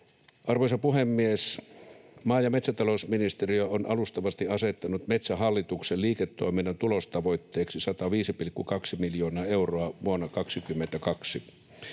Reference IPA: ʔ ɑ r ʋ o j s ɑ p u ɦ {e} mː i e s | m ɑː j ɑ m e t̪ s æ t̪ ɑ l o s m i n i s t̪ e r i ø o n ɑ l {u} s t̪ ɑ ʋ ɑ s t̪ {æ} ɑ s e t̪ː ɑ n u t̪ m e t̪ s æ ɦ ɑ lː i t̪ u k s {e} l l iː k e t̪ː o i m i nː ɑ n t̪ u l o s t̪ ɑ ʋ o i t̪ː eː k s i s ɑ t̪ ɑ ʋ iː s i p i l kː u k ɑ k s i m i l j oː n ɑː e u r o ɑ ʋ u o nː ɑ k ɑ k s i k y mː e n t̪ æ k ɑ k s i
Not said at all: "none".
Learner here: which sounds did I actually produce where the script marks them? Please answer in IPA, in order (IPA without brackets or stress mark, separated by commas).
e, u, i, e